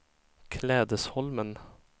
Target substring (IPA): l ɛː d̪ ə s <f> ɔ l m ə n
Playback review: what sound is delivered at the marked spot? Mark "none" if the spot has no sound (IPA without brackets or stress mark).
h